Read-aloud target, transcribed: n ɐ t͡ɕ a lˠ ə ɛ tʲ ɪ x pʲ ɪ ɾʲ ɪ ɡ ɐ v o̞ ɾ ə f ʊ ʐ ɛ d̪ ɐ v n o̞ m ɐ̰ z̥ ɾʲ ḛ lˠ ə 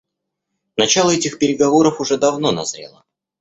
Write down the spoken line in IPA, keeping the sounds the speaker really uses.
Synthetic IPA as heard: n ɐ t͡ɕ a lˠ ə ɛ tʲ ɪ x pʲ ɪ ɾʲ ɪ ɡ ɐ v o̞ ɾ ə f ʊ ʐ ɛ d̪ ɐ v n o̞ n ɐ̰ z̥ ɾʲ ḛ lˠ ə